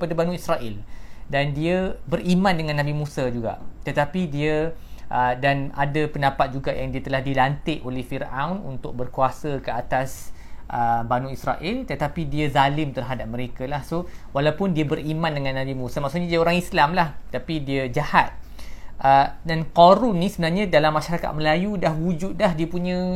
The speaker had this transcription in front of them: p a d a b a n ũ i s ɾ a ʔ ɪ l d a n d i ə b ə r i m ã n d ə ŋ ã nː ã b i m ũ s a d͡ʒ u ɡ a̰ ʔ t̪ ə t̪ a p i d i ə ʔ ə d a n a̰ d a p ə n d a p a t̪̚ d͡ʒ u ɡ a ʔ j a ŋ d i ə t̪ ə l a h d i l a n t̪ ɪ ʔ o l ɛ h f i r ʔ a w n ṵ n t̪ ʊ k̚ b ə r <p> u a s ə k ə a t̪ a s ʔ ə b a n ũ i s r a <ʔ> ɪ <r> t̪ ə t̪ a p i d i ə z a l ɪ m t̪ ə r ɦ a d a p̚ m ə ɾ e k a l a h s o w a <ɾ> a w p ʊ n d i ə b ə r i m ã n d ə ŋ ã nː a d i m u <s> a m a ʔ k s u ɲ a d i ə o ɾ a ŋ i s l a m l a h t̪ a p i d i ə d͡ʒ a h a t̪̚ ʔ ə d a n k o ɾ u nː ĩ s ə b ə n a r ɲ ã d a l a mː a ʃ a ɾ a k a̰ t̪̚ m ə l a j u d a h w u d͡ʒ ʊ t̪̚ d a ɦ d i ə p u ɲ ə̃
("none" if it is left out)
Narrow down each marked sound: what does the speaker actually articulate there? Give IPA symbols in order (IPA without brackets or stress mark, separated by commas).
k, ʔ, l, l, s